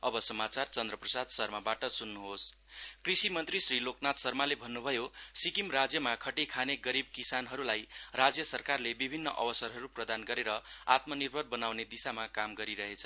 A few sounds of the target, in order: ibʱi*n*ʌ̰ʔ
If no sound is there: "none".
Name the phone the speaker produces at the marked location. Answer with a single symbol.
nː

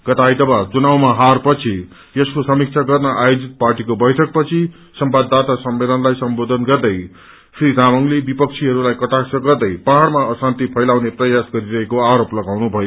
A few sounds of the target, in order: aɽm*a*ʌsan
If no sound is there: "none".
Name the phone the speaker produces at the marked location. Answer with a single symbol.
a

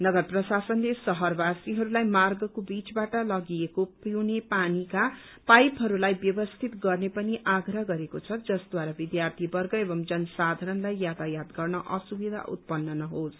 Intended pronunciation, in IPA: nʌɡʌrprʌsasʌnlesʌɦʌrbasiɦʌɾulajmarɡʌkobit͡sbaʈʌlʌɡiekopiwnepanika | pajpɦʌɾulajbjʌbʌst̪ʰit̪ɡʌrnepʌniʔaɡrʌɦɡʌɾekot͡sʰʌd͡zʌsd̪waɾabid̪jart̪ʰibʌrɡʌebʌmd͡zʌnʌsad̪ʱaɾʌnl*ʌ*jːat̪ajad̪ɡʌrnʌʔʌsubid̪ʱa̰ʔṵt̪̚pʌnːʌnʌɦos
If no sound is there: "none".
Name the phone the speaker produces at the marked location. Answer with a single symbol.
a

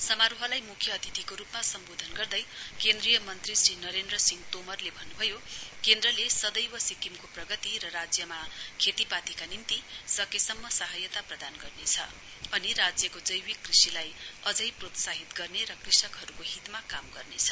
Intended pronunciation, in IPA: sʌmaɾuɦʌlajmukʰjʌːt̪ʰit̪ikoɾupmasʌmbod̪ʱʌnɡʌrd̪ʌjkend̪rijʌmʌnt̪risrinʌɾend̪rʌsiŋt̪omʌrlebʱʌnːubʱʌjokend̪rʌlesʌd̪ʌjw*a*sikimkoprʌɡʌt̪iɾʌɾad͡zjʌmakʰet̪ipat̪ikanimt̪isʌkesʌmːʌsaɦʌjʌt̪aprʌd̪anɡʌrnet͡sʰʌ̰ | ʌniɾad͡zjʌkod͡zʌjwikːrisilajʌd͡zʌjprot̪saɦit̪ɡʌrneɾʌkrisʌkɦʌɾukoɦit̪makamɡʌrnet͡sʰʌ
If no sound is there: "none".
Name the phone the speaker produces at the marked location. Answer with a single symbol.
ʌ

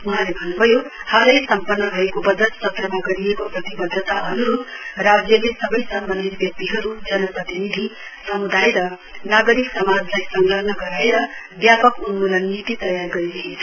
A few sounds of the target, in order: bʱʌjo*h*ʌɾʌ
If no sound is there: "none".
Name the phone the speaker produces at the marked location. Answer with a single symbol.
h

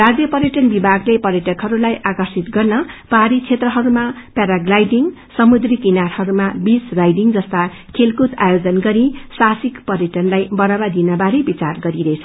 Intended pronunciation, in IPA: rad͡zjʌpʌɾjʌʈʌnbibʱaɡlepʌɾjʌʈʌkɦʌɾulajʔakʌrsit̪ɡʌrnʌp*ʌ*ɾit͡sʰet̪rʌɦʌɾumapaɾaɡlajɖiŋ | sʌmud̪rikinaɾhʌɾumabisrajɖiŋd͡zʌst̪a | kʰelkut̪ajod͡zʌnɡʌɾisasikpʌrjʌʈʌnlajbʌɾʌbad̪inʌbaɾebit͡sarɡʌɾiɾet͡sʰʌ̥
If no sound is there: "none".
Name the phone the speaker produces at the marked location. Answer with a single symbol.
a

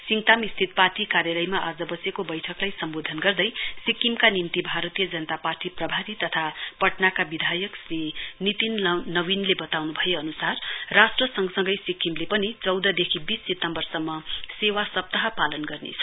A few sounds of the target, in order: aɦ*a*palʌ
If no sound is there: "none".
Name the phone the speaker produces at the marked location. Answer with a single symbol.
ʌ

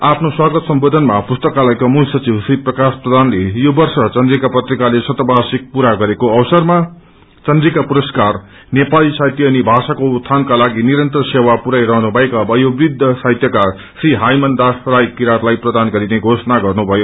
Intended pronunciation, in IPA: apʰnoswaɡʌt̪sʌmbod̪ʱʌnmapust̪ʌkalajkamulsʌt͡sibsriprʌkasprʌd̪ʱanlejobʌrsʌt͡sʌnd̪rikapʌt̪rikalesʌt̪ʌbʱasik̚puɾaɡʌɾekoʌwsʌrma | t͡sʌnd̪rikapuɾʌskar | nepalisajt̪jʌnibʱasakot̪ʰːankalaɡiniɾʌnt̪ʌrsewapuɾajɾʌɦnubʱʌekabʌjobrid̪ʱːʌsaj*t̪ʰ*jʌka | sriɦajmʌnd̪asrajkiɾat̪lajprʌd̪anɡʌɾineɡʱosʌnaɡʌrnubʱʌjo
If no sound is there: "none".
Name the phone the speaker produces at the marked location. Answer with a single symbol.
t̪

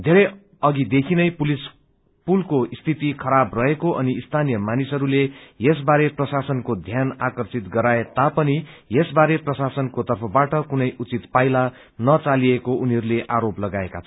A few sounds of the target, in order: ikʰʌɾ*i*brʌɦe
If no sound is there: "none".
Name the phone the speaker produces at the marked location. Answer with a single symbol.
a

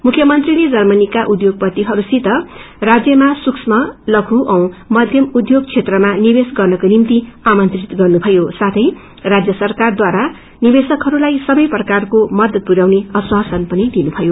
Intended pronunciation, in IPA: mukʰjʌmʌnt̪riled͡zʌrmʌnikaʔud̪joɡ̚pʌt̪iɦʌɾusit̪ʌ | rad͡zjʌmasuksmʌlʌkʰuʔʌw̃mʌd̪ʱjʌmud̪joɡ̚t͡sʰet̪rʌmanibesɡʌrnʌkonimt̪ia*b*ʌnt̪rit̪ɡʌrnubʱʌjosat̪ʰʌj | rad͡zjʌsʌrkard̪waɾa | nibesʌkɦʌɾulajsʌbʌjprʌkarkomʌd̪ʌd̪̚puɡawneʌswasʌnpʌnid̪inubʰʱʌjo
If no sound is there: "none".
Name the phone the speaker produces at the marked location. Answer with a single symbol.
m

